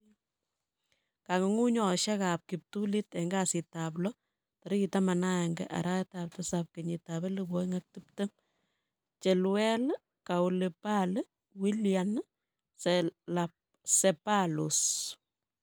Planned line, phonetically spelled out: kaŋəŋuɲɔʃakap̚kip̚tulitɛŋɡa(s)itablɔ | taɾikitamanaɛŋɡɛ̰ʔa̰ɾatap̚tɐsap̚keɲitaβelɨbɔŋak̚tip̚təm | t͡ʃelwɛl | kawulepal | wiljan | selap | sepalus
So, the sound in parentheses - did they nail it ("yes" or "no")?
yes